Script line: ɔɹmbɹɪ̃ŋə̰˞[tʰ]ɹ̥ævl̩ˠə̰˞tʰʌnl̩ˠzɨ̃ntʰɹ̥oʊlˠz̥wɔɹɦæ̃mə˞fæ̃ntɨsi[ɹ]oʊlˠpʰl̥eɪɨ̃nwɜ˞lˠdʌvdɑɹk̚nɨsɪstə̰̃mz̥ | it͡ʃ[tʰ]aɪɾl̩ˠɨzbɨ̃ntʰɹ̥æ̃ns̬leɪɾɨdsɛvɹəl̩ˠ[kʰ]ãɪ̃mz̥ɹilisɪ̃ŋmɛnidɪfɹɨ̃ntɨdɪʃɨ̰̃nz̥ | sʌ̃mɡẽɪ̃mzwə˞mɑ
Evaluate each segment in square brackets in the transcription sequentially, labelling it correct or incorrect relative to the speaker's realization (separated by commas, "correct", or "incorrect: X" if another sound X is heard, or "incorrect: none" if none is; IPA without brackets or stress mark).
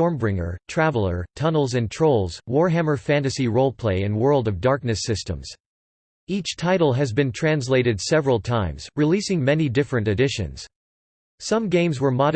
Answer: correct, correct, correct, incorrect: tʰ